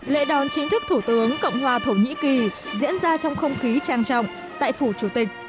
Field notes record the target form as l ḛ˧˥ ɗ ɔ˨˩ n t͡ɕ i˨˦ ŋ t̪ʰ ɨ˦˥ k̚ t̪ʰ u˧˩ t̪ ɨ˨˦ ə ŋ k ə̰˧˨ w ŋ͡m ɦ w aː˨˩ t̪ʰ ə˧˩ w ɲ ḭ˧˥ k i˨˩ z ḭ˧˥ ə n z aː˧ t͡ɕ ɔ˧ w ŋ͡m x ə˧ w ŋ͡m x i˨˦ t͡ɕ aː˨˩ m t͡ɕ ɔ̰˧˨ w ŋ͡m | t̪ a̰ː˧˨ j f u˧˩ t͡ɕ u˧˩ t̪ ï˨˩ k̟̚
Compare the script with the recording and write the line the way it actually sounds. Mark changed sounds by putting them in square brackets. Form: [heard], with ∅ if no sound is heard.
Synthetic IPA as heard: l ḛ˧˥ ɗ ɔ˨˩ n t͡ɕ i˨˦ ŋ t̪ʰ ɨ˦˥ k̚ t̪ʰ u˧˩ t̪ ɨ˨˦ ə ŋ k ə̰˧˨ w ŋ͡m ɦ w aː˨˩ t̪ʰ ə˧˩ w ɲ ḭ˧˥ k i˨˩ z ḭ˧˥ ə n z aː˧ t͡ɕ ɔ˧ w ŋ͡m x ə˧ w ŋ͡m x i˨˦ t͡ɕ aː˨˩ [ŋ] t͡ɕ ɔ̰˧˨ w ŋ͡m | t̪ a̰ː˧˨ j f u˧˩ t͡ɕ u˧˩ t̪ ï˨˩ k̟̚